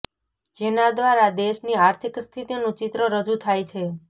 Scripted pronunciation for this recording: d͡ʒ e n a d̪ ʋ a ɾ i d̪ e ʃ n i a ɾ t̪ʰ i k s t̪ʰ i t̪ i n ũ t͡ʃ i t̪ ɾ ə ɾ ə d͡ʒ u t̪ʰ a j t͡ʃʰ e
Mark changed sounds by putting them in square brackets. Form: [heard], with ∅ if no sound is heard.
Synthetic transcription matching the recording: d͡ʒ e n a d̪ ʋ a ɾ [a] d̪ e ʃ n i a ɾ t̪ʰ i k s t̪ʰ i t̪ i n ũ t͡ʃ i t̪ ɾ ə ɾ ə d͡ʒ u t̪ʰ a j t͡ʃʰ e